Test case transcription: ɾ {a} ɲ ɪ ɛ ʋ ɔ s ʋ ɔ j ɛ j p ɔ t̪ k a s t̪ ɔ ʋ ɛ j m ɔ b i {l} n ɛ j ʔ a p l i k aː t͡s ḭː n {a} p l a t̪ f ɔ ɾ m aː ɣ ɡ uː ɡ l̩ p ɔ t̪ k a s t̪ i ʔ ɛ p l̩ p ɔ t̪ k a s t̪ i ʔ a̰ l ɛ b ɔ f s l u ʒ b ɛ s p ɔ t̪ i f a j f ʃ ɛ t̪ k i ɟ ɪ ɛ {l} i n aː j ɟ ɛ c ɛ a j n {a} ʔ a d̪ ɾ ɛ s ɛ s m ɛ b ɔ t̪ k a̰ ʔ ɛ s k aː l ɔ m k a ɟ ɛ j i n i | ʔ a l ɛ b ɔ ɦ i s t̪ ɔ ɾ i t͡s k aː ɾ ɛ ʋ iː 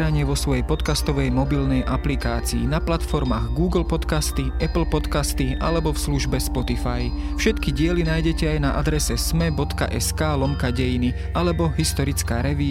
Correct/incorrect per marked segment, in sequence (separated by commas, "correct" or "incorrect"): correct, correct, correct, correct, correct